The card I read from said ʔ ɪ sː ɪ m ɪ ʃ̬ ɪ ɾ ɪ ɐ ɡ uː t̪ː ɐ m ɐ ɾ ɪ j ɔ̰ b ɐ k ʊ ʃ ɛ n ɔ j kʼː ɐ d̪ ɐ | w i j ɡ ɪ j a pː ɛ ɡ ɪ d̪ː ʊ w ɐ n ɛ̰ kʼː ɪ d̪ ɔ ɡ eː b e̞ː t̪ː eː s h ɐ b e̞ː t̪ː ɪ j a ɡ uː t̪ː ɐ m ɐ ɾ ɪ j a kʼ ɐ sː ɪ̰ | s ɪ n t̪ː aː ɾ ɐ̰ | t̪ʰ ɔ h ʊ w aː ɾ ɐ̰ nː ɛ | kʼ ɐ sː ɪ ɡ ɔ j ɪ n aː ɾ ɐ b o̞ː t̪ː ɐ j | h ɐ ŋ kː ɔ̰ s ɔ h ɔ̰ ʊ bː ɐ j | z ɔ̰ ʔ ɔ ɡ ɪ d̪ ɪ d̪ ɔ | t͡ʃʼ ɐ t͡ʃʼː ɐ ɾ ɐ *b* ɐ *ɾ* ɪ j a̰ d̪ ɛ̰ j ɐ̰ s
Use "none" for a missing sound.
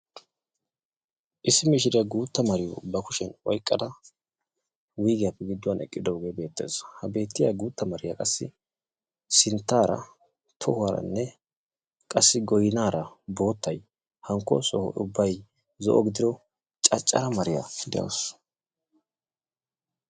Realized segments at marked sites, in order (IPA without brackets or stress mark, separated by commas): m, ɾ